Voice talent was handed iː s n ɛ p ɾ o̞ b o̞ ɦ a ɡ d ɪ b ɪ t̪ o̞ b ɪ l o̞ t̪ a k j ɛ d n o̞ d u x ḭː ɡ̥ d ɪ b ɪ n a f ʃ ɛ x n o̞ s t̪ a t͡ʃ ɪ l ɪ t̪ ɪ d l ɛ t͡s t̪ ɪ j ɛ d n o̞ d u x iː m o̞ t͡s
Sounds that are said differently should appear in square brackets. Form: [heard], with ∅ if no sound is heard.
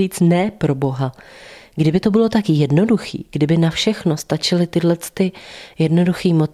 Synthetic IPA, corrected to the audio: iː [t͡s] n ɛ p ɾ o̞ b o̞ ɦ a ɡ d ɪ b ɪ t̪ o̞ b ɪ l o̞ t̪ a k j ɛ d n o̞ d u x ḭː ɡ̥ d ɪ b ɪ n a f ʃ ɛ x n o̞ s t̪ a t͡ʃ ɪ l ɪ t̪ ɪ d l ɛ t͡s t̪ ɪ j ɛ d n o̞ d u x iː m o̞ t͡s